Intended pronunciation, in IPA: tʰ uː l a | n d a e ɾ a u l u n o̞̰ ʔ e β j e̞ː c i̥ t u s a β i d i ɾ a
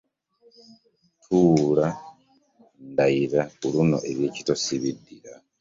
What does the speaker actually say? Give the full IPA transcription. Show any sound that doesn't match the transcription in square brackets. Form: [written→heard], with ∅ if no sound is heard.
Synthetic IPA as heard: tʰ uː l a | n d a [e→i] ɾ a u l u n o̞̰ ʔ e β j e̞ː c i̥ t [u→o] s [a→i] β i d i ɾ a